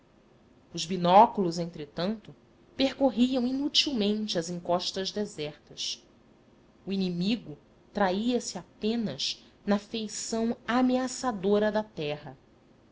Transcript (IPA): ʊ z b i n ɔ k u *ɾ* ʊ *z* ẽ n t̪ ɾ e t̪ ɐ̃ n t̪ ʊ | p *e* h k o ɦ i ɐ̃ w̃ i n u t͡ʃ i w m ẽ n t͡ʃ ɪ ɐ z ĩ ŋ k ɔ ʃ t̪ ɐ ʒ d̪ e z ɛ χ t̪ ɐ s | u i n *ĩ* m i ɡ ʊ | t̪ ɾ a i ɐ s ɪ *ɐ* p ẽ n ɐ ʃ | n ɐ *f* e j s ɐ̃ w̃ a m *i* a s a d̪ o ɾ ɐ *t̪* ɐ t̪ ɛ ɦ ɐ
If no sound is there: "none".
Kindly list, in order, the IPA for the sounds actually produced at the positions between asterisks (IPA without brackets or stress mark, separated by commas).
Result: l, z, e, i, a, f, e, d̪